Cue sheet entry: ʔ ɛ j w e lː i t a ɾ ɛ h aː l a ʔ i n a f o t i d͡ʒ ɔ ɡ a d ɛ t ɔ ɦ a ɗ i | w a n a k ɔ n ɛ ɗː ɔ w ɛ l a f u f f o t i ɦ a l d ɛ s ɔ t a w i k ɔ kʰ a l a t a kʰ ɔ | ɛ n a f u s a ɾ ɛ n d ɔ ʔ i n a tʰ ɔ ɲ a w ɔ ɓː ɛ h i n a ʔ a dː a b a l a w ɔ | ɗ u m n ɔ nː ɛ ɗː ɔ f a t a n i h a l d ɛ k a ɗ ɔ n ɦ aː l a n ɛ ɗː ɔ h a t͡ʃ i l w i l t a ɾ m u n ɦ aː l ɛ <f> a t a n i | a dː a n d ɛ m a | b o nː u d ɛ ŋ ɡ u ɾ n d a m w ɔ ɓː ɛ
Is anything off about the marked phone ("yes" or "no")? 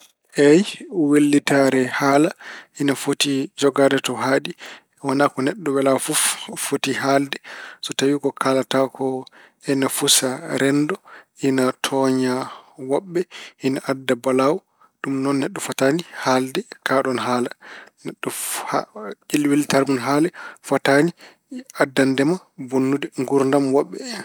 no